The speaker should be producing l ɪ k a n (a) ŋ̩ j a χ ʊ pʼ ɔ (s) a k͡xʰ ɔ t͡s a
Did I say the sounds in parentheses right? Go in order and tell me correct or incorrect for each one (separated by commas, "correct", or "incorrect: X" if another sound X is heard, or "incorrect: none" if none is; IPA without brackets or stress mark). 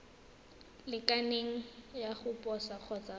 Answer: incorrect: e, correct